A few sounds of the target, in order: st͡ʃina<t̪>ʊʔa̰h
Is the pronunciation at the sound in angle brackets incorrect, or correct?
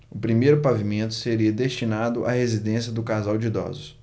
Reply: incorrect